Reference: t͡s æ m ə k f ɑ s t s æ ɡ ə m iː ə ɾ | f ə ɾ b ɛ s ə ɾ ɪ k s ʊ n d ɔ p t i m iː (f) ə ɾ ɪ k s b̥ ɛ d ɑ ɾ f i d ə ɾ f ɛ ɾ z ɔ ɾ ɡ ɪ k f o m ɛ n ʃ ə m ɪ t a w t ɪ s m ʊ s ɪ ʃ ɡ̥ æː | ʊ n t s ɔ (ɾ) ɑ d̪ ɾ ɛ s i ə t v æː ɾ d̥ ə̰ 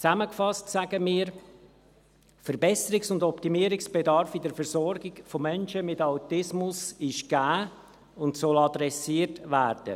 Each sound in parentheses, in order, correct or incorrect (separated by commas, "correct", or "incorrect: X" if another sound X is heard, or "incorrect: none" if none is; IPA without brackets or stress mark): incorrect: none, incorrect: l